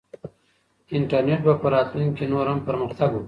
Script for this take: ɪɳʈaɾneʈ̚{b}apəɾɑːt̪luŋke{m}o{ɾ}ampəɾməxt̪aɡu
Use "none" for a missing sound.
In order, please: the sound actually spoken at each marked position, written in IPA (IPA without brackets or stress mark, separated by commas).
b, n, ɾ